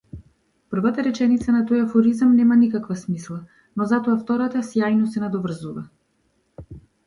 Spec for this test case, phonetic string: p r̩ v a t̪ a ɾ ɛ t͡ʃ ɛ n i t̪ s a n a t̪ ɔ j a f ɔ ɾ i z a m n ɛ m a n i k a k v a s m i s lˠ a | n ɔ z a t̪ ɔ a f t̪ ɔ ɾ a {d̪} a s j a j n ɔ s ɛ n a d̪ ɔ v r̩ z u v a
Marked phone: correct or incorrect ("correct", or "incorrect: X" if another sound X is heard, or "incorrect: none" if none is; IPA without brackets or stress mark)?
incorrect: t̪